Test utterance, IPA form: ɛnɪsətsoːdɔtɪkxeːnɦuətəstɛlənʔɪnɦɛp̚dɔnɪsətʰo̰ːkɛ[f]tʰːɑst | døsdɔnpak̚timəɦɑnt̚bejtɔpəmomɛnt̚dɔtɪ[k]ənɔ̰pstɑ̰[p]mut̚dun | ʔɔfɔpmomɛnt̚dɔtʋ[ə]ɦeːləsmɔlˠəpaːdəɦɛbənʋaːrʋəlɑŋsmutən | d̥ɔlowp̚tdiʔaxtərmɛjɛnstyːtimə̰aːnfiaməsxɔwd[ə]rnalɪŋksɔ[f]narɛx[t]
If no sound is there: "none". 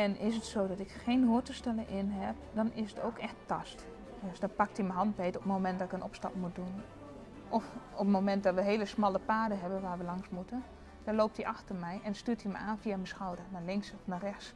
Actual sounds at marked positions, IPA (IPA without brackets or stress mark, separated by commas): x, k, p, ə, ə, f, s